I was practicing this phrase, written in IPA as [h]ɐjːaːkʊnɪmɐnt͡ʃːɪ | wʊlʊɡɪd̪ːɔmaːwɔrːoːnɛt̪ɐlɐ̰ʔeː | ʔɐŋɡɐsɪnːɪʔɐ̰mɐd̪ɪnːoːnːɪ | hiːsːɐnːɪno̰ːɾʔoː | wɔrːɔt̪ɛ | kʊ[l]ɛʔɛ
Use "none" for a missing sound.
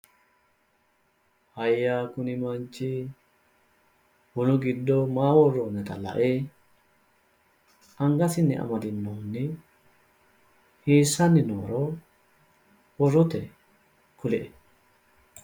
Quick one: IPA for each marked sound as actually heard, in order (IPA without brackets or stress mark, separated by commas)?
h, l